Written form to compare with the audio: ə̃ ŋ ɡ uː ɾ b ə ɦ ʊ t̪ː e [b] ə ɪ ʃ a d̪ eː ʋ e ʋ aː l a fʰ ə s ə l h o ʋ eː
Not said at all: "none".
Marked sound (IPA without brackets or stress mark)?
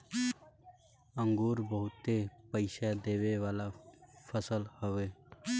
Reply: p